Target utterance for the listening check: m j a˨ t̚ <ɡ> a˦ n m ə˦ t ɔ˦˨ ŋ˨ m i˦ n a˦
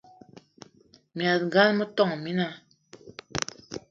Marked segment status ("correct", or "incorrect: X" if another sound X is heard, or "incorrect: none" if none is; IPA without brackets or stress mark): correct